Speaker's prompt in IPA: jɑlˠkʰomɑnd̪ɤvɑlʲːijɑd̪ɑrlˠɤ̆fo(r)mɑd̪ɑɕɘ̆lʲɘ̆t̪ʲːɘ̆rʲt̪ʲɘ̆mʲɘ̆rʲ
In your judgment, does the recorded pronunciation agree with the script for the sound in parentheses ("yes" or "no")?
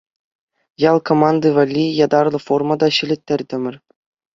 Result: yes